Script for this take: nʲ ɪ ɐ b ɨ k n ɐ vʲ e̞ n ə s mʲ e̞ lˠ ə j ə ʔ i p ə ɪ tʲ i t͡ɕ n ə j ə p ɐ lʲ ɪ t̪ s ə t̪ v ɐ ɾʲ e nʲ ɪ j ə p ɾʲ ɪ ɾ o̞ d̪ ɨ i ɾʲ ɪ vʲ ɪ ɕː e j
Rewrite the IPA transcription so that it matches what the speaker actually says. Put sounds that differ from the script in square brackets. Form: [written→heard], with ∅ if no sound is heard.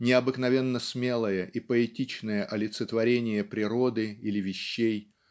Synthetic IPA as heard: nʲ ɪ ɐ b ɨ k n ɐ vʲ e̞ [n→nː] ə s mʲ e̞ lˠ ə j ə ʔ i p ə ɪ tʲ i t͡ɕ n ə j ə [p→ʔ] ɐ lʲ ɪ t̪ s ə t̪ v ɐ ɾʲ e nʲ ɪ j ə p ɾʲ ɪ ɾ o̞ d̪ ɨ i [ɾʲ→lʲ] ɪ vʲ ɪ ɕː e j